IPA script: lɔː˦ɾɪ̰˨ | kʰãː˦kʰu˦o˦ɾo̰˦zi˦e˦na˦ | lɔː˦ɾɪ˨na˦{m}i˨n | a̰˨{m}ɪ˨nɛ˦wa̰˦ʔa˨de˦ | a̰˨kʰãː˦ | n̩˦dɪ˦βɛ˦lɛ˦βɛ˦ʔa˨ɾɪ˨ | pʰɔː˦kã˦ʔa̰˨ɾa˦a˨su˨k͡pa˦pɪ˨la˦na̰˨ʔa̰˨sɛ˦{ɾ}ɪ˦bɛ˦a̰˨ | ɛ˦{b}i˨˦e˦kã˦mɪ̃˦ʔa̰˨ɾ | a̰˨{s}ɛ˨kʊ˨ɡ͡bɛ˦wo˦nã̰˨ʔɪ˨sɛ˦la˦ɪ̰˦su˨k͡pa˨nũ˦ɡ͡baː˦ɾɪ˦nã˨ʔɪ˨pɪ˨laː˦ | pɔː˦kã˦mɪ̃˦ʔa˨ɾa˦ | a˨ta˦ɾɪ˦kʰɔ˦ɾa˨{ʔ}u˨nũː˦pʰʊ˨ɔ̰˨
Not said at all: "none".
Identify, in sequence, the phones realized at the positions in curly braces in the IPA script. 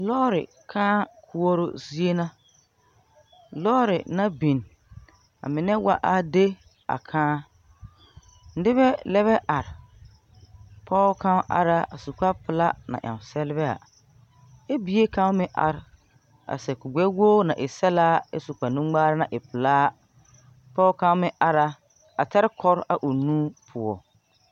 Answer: b, m, l, b, s, ʔ

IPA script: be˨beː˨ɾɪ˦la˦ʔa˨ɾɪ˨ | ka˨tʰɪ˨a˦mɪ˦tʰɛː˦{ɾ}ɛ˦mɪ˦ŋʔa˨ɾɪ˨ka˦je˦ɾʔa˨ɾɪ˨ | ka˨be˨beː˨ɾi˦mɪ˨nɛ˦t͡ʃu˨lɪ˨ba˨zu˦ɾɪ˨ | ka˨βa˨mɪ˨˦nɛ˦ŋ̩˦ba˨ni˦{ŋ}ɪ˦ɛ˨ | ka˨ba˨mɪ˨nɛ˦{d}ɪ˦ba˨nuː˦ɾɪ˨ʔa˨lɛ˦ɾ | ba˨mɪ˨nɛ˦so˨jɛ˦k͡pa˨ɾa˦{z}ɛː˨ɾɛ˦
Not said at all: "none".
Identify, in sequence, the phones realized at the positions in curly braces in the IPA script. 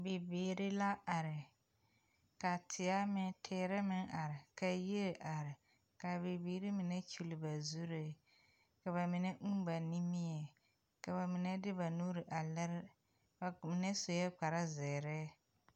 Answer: ɾ, m, d, z

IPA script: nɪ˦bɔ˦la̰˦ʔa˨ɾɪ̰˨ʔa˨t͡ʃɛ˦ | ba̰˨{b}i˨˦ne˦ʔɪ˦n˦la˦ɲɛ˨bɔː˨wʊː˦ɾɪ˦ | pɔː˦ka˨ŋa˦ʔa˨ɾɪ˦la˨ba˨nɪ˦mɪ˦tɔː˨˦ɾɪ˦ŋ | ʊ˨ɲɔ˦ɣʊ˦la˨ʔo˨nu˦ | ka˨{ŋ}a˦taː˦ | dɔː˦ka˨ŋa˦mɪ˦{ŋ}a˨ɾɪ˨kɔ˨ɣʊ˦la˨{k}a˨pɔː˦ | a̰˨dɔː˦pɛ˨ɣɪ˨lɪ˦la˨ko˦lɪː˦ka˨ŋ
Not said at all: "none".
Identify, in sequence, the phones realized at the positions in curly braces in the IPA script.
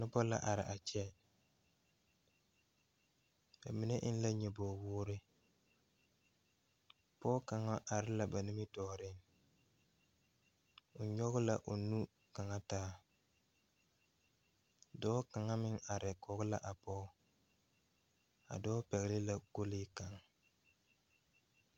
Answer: m, ŋ, ŋ, ʔ

